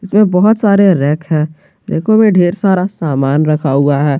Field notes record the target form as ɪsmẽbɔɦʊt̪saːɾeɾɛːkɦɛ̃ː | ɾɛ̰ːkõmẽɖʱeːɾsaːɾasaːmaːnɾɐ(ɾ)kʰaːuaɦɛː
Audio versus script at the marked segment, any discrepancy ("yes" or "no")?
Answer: yes